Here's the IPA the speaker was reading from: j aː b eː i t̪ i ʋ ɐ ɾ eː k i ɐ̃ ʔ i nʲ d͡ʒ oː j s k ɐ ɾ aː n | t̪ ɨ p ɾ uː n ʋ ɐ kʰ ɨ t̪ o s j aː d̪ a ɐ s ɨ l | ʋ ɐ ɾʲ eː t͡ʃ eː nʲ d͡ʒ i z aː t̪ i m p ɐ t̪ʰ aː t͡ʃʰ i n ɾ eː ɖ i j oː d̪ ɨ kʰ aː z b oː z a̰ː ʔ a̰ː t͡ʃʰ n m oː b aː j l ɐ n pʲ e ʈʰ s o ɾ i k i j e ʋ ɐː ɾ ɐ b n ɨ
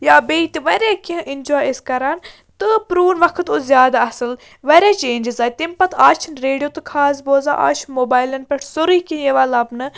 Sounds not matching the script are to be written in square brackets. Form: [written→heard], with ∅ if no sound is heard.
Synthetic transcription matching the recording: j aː b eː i t̪ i ʋ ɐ ɾ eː k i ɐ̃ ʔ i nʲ d͡ʒ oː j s k ɐ ɾ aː n | t̪ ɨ p ɾ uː n ʋ ɐ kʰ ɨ t̪ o [s→z] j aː d̪ a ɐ s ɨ l | ʋ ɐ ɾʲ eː t͡ʃ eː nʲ d͡ʒ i z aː t̪ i m p ɐ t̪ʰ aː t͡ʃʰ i n ɾ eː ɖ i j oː [d̪→t̪] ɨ kʰ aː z b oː z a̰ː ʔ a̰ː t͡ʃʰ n m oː b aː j l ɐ n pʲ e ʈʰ s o ɾ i k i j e ʋ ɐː [ɾ→l] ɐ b n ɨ